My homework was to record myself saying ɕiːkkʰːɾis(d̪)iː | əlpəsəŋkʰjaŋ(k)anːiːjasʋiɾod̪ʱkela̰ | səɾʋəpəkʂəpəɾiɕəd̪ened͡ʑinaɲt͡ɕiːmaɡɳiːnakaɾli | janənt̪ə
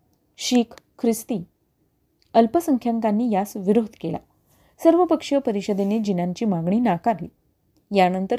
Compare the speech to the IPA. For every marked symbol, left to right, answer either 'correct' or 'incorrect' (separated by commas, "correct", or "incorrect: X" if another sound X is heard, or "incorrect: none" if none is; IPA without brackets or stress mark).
incorrect: t̪, correct